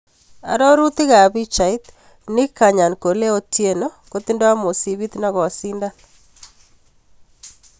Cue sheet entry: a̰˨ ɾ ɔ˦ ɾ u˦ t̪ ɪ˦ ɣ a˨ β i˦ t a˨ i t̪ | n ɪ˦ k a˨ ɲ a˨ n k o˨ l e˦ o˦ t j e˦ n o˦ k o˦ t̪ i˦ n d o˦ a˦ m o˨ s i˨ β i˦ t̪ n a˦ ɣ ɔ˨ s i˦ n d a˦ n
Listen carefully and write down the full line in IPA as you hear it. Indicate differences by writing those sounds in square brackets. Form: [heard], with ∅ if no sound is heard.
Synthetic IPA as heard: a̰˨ ɾ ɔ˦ ɾ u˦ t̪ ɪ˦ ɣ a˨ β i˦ [t͡ʃ] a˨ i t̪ | n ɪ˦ k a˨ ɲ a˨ n k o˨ l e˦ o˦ t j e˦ n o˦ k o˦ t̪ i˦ n d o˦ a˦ m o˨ s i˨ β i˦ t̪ n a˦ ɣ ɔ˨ s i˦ n d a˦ n